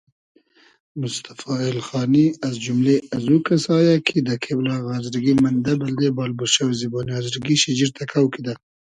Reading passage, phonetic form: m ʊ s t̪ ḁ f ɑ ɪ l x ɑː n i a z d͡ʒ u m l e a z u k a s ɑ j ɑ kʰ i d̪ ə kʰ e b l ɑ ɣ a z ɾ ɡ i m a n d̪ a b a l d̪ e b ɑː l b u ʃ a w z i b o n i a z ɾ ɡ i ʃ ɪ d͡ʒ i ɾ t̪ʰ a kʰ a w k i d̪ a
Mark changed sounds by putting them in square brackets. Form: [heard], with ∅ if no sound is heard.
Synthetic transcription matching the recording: m ʊ s t̪ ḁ f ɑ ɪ l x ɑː n i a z d͡ʒ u m l e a z u k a s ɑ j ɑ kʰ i d̪ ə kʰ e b l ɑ ɣ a z ɾ ɡ i m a n d̪ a b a l d̪ e b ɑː l b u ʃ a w z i b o n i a z ɾ ɡ i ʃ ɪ d͡ʒ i ɾ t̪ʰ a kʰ a w k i d̪ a

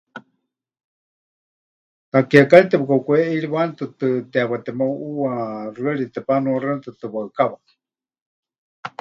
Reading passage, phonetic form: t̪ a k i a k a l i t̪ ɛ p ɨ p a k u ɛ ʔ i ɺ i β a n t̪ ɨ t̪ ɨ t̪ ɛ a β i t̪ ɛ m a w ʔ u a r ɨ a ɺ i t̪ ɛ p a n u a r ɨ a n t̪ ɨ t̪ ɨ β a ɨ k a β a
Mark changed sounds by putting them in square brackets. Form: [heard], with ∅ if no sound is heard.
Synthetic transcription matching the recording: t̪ a k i a k a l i t̪ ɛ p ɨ [k] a k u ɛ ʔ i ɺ i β a n t̪ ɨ t̪ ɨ t̪ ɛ a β [a] t̪ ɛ m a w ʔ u a r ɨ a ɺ i t̪ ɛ p a n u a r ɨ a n t̪ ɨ t̪ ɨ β a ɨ k a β a

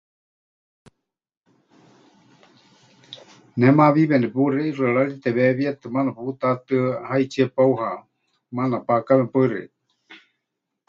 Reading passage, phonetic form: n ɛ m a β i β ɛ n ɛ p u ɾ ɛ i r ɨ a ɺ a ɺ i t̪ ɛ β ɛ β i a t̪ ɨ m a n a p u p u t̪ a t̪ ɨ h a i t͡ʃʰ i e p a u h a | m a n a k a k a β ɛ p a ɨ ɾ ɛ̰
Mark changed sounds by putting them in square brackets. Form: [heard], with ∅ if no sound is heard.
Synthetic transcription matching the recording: n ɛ m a β i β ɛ n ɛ p u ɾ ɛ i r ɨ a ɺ a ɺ i t̪ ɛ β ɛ β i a t̪ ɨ m a n a p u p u t̪ a t̪ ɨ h a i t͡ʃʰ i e p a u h a | m a n a [p] a k a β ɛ p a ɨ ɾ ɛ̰

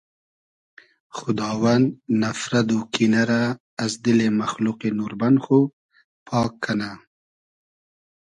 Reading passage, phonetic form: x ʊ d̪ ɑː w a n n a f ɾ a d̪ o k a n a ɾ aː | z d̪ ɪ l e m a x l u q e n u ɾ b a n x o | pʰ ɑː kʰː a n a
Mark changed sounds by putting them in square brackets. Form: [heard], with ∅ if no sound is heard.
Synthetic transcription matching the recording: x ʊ d̪ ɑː w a n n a f ɾ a d̪ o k [i] n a ɾ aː | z d̪ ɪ l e m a x l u q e n u ɾ b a n x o | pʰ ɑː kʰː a n a

